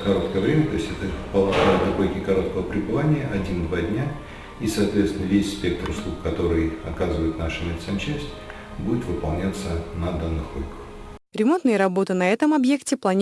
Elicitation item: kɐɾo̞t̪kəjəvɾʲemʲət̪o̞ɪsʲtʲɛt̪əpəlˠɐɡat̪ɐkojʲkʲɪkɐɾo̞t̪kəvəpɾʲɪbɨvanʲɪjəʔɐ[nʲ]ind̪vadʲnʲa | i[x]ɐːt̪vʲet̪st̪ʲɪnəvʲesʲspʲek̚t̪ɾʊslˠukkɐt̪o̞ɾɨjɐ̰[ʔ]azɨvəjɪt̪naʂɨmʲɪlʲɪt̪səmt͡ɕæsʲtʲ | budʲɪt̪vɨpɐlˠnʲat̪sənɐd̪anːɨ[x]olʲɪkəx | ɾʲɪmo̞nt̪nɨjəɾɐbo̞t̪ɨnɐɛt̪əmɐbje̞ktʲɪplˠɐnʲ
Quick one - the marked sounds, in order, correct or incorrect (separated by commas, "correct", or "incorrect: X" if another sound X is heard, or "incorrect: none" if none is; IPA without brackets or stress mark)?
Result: incorrect: dʲ, incorrect: s, incorrect: k, correct